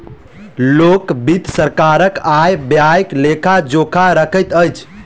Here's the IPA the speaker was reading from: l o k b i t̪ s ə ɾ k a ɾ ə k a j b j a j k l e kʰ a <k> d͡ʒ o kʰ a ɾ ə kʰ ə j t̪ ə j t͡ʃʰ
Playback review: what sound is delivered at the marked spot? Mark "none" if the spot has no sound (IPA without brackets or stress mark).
none